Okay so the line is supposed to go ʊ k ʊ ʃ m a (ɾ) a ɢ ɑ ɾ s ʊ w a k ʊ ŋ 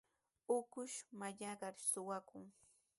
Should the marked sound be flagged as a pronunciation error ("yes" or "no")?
yes